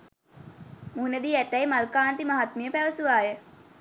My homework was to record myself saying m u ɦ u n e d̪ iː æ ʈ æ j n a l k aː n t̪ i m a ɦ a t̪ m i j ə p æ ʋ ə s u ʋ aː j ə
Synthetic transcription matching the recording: m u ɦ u n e d̪ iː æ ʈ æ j m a l k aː n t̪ i m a ɦ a t̪ m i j ə p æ ʋ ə s u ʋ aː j ə